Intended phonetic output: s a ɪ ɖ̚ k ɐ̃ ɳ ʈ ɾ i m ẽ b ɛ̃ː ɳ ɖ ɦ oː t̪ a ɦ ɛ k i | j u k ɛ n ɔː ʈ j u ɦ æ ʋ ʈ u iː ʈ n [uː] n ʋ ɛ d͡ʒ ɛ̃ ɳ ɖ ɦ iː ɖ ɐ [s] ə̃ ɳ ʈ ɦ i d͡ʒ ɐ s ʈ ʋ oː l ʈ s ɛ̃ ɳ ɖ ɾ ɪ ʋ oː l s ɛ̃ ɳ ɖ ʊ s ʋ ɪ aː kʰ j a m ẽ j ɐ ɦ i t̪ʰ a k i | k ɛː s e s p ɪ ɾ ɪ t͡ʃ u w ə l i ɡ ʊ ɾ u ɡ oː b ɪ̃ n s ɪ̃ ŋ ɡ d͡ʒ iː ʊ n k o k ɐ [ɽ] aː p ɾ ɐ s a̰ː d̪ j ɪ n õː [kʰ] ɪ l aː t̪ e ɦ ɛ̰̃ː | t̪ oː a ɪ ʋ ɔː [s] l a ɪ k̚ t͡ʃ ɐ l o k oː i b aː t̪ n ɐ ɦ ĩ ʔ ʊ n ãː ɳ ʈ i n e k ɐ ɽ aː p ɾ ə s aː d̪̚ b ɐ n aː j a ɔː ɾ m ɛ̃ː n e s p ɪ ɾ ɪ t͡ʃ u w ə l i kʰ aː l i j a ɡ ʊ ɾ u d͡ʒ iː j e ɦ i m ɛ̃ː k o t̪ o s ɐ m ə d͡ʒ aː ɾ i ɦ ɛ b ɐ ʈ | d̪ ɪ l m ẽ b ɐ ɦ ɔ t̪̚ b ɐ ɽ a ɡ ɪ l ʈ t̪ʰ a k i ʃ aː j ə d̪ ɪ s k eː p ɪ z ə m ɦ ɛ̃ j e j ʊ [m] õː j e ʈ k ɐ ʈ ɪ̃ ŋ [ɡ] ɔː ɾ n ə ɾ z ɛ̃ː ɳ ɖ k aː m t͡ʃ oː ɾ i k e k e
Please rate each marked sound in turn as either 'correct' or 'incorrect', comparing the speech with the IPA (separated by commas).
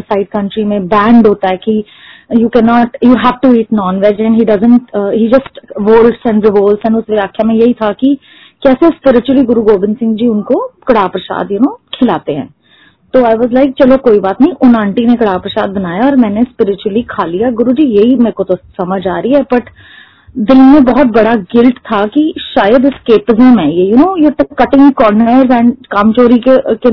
incorrect, incorrect, correct, correct, incorrect, incorrect, incorrect